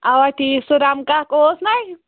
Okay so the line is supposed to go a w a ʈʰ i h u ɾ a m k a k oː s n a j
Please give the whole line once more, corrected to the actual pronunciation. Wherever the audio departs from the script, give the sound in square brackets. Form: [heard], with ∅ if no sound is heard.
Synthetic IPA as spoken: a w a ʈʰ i [s] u ɾ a m k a k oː s n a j